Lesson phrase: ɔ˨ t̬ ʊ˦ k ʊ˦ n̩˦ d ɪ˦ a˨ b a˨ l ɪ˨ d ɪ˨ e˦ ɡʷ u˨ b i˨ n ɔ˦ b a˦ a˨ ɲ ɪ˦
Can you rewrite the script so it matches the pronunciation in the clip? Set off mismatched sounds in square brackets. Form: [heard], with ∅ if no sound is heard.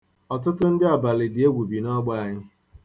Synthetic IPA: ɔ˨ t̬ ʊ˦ [t] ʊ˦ n̩˦ d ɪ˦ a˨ b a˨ l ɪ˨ d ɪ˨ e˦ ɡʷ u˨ b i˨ n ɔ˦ [ɡ͡b] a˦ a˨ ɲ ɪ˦